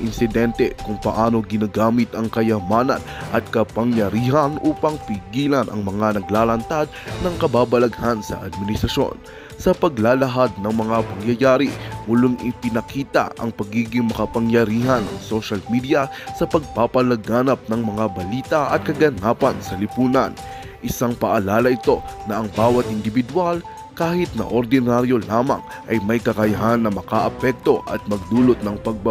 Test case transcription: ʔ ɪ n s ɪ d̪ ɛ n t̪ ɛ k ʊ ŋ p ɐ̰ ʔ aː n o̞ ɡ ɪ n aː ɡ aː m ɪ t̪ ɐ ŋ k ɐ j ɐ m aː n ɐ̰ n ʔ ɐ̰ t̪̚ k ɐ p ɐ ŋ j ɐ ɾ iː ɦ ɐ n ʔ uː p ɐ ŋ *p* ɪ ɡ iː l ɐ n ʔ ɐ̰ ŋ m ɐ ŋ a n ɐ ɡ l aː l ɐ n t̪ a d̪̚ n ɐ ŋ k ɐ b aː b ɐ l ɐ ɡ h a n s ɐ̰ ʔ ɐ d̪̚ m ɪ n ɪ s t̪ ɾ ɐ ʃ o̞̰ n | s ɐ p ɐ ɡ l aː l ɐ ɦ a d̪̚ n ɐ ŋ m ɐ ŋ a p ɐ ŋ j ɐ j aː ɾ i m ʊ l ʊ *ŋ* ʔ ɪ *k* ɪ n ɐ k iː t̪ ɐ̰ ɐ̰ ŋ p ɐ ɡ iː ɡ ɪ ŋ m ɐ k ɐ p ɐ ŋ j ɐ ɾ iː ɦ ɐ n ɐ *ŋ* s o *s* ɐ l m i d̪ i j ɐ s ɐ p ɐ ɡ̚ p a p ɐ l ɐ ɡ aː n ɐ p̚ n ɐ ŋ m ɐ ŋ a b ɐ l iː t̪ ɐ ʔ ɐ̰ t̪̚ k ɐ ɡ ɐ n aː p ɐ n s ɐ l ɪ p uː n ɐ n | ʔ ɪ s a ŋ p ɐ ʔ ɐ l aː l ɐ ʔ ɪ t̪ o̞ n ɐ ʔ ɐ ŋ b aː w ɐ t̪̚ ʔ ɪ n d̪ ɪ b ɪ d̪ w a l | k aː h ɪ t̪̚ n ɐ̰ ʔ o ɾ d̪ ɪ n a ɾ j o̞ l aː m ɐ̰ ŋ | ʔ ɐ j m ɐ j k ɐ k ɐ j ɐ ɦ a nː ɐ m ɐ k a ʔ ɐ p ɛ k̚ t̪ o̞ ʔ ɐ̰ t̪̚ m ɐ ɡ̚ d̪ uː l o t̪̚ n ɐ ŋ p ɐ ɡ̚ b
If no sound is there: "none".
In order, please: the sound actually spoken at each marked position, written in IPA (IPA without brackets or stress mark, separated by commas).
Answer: p, ŋ, p, ŋ, ʃ